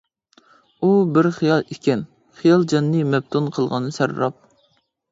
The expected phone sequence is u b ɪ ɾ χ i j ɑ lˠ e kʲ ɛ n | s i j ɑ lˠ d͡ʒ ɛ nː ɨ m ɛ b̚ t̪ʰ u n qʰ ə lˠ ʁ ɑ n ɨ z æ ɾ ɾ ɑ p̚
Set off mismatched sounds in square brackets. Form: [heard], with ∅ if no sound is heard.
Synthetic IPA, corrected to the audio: u b ɪ ɾ χ i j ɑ lˠ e kʲ ɛ n | [χ] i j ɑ lˠ d͡ʒ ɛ nː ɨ m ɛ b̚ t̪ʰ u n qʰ ə lˠ ʁ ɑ n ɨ [s] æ ɾ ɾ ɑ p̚